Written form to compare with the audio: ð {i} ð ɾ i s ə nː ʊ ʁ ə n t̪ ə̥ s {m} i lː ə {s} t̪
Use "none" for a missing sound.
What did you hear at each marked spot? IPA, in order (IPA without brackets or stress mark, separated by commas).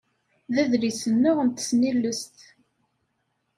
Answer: æ, n, s